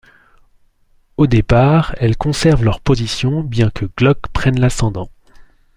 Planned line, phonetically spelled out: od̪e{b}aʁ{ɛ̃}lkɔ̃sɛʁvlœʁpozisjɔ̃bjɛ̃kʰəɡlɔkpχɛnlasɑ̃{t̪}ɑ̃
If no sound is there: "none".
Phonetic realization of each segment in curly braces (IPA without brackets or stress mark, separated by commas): p, ɛ, d̪